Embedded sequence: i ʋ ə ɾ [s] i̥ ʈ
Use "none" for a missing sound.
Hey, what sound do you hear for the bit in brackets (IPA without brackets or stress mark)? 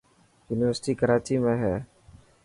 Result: s